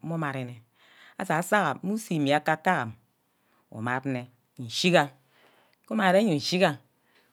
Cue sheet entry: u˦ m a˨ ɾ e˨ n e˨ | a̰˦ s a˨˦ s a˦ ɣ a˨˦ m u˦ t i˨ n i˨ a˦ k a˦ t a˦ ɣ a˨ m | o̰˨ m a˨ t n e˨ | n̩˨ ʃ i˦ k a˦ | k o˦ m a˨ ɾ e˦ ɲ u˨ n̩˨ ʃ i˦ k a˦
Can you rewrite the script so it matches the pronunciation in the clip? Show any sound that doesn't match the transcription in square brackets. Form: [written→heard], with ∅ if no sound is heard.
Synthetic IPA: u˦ m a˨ ɾ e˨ n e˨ | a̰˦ s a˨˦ s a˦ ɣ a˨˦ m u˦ [t→s] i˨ [n→m] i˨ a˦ k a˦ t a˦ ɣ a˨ m | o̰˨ m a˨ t n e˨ | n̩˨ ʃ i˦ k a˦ | k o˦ m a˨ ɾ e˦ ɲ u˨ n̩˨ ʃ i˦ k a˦